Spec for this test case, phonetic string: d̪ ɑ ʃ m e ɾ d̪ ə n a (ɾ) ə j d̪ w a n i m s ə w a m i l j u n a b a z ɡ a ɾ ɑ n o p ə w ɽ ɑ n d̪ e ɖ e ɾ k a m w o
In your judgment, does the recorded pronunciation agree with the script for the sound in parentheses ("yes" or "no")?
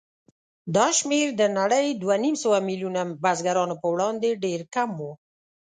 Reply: no